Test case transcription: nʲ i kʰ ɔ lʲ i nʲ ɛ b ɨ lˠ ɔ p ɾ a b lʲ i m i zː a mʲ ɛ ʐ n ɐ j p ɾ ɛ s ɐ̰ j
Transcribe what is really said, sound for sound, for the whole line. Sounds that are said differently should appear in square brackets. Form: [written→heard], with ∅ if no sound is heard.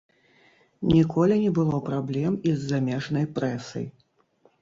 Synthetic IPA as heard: nʲ i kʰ ɔ lʲ i nʲ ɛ b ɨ lˠ ɔ p ɾ a b lʲ [i→ɛ] m i zː a mʲ ɛ ʐ n ɐ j p ɾ ɛ s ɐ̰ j

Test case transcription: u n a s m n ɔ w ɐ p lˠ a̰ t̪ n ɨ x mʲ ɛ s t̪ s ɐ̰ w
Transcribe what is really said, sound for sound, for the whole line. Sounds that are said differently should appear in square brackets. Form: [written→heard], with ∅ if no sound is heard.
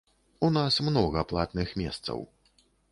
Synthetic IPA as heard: u n a s m n ɔ [w→ɣ] ɐ p lˠ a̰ t̪ n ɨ x mʲ ɛ s t̪ s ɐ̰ w

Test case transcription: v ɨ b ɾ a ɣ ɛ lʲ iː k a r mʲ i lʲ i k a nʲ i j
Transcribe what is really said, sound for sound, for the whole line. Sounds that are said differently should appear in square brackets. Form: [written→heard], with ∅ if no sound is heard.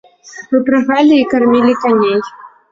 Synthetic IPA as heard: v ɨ [b→p] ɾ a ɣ [ɛ→a] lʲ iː k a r mʲ i lʲ i k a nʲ [i→e] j

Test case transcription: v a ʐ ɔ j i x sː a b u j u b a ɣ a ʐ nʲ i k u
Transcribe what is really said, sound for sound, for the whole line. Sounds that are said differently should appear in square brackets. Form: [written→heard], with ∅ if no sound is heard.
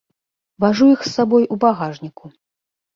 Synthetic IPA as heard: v a ʐ [ɔ→u] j i x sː a b [u→ɔ] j u b a ɣ a ʐ nʲ i k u

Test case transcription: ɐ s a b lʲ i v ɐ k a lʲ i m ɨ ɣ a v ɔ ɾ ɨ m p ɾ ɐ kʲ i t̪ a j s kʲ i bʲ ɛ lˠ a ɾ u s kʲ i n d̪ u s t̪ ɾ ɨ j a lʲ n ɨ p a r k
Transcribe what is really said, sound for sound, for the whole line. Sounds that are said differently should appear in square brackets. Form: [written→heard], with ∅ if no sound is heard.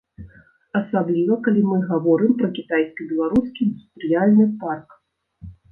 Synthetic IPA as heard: ɐ s a b lʲ i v ɐ k a lʲ i m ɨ ɣ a v ɔ ɾ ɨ m p ɾ ɐ kʲ i t̪ a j s kʲ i bʲ ɛ lˠ a ɾ u s kʲ i n d̪ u s t̪ ɾ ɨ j a lʲ n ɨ p a r k

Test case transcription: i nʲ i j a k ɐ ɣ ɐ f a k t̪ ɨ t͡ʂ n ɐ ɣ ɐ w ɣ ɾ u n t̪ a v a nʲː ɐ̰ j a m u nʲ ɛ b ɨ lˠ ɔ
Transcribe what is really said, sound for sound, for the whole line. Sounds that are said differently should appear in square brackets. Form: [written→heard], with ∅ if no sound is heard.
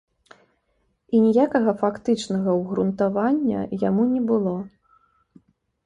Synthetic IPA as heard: i nʲ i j a k ɐ ɣ ɐ f a k t̪ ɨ t͡ʂ n ɐ ɣ ɐ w ɣ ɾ u n t̪ a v a nʲː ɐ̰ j a m u nʲ ɛ b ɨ lˠ ɔ

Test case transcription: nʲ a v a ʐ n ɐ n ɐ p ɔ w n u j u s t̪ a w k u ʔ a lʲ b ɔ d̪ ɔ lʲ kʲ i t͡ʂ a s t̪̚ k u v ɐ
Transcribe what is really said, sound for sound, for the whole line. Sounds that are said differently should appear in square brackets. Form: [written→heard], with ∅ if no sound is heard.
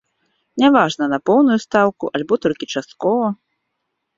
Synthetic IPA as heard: nʲ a v a ʐ n ɐ n ɐ p ɔ w n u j u s t̪ a w k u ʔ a lʲ b ɔ [d̪→t̪] ɔ lʲ kʲ i t͡ʂ a s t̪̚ k [u→ɔ] v ɐ

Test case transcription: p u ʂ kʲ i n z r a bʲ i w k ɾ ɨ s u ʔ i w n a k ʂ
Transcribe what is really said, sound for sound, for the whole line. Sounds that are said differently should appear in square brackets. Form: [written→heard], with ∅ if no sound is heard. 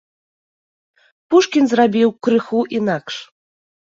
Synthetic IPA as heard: p u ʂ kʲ i n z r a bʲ i w k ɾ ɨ [s→x] u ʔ i [w→∅] n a k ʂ

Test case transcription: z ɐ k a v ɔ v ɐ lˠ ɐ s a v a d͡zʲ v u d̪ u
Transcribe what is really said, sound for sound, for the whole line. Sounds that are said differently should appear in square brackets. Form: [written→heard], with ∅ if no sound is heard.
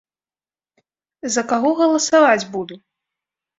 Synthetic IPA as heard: z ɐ k a [v→ɣ] ɔ [v→ɣ] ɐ lˠ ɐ s a v a d͡zʲ [v→b] u d̪ u

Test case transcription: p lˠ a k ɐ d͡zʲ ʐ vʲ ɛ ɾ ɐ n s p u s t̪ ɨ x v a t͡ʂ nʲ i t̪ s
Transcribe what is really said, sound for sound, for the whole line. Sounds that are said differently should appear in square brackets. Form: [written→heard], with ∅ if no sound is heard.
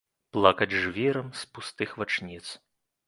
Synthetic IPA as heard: p lˠ a k ɐ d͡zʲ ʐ vʲ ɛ ɾ ɐ [n→m] s p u s t̪ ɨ x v a t͡ʂ nʲ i t̪ s

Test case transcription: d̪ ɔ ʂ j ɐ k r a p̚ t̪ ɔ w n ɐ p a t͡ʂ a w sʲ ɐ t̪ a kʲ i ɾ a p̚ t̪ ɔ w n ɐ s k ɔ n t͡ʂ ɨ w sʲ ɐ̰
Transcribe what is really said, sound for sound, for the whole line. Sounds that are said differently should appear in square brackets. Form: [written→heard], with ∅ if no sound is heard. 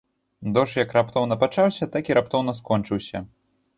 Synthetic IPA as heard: d̪ ɔ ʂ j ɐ k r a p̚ t̪ ɔ w n ɐ p a t͡ʂ a w sʲ ɐ t̪ a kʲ i ɾ a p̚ t̪ ɔ w n ɐ s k ɔ n t͡ʂ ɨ w sʲ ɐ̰

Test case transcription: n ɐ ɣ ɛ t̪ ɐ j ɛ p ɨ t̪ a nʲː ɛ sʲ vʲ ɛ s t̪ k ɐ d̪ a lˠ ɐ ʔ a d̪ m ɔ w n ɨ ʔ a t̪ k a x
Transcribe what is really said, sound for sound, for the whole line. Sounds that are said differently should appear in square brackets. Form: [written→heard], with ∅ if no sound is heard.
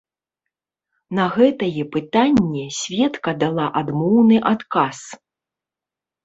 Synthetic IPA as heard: n ɐ ɣ ɛ t̪ ɐ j ɛ p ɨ t̪ a nʲː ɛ sʲ vʲ ɛ [s→∅] t̪ k ɐ d̪ a lˠ [ɐ→a] ʔ a d̪ m ɔ w n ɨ ʔ a t̪ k a [x→s]

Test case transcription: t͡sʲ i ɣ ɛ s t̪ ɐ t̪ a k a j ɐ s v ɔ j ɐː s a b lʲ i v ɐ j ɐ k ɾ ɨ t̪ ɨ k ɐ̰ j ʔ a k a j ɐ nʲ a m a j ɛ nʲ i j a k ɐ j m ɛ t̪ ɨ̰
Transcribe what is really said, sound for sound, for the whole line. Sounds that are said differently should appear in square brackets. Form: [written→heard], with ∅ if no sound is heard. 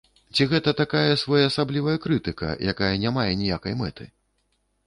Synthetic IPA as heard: t͡sʲ i ɣ ɛ [s→∅] t̪ ɐ t̪ a k a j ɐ s v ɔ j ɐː s a b lʲ i v ɐ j ɐ k ɾ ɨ t̪ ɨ k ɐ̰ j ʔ a k a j ɐ nʲ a m a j ɛ nʲ i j a k ɐ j m ɛ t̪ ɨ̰

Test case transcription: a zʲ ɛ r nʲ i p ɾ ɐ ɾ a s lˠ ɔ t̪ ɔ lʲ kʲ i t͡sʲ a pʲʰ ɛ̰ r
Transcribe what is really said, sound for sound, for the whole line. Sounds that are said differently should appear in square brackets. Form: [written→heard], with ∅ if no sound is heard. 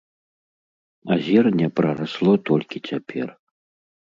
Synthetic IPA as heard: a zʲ ɛ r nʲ [i→ɛ] p ɾ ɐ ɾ a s lˠ ɔ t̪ ɔ lʲ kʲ i t͡sʲ a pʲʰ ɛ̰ r

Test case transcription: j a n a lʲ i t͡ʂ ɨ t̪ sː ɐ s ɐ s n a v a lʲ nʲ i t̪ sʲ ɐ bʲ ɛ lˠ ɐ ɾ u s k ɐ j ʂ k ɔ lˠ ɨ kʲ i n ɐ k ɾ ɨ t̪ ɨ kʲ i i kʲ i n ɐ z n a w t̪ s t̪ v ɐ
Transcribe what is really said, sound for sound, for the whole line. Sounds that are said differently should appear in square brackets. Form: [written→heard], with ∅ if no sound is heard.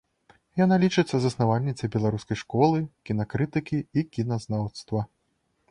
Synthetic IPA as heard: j a n a lʲ i t͡ʂ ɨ t̪ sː ɐ [s→z] ɐ s n a v a lʲ nʲ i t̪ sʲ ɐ bʲ ɛ lˠ [ɐ→a] ɾ u s k ɐ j ʂ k ɔ lˠ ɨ kʲ i n ɐ k ɾ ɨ t̪ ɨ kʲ i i kʲ i n ɐ z n a w t̪ s t̪ v ɐ

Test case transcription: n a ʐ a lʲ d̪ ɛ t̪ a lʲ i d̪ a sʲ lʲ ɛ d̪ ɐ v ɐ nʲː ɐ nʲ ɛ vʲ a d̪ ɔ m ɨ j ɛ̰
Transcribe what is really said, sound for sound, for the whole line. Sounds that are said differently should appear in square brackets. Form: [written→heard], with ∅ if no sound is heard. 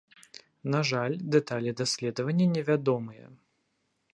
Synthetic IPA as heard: n a ʐ a lʲ d̪ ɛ t̪ a lʲ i d̪ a sʲ lʲ ɛ d̪ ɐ v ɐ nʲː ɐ nʲ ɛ vʲ a d̪ ɔ m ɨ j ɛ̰

